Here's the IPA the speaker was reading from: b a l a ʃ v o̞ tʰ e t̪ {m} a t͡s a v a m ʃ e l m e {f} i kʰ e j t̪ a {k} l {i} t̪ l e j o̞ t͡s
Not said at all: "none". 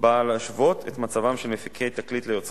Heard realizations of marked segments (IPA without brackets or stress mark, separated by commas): m, f, k, i